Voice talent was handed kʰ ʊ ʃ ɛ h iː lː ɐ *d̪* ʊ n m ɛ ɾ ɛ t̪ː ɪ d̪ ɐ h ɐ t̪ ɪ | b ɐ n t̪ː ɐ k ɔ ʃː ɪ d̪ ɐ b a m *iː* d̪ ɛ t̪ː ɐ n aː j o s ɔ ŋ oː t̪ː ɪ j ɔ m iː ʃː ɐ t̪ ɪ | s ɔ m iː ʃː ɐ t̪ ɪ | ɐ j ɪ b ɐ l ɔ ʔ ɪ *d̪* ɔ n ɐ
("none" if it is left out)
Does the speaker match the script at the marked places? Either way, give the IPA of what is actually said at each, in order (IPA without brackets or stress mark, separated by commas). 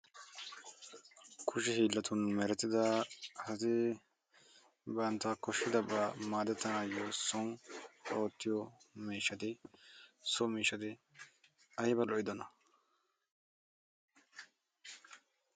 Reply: t̪, aː, d̪